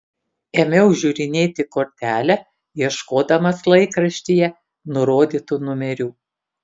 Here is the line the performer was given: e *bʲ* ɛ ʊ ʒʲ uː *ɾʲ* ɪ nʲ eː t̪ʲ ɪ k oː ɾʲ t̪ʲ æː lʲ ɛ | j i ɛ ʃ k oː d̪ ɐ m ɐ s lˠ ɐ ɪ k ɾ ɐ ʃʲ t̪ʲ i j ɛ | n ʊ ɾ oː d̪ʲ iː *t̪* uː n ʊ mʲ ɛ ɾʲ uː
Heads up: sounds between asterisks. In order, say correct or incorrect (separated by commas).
incorrect, correct, correct